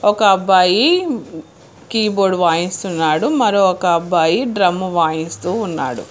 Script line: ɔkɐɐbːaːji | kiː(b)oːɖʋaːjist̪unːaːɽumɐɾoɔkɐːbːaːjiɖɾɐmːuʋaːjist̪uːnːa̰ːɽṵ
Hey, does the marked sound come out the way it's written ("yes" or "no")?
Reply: yes